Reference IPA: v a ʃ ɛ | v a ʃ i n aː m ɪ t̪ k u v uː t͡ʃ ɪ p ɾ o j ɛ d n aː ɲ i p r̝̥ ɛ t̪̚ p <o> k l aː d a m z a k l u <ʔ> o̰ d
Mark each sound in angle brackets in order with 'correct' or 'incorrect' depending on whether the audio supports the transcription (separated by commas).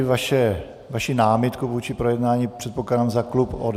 correct, incorrect